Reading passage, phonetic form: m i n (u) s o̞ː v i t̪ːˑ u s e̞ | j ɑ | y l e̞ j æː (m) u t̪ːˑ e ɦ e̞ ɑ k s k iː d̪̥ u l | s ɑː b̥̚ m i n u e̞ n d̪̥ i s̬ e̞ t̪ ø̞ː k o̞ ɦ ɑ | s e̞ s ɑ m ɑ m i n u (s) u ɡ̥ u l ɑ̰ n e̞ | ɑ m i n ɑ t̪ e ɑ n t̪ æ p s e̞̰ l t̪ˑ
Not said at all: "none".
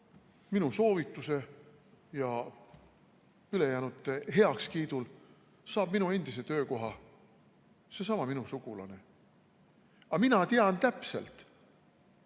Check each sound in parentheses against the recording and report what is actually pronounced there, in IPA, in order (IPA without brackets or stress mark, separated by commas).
u, n, s